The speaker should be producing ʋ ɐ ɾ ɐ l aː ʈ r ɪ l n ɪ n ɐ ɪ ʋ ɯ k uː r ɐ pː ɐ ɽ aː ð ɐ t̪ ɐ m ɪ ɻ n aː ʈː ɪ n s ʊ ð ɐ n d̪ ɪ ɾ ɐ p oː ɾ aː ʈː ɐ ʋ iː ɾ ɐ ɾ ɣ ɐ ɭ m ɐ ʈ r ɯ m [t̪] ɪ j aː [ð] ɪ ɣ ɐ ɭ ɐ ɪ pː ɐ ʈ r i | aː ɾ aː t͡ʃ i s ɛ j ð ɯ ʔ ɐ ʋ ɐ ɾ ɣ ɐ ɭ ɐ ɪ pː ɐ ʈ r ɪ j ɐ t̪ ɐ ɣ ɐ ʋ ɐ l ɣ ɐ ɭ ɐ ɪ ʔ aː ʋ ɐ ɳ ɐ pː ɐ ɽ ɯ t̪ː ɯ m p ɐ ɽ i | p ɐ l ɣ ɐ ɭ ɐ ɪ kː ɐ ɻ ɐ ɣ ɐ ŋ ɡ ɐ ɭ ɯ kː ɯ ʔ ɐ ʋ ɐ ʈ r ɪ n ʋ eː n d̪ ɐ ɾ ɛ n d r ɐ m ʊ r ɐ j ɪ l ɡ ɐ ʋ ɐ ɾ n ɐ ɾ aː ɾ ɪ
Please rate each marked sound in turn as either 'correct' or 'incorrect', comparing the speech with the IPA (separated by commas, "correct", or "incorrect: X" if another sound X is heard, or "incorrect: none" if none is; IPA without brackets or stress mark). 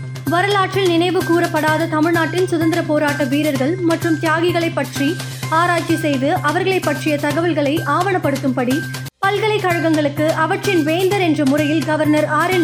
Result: correct, incorrect: ɣ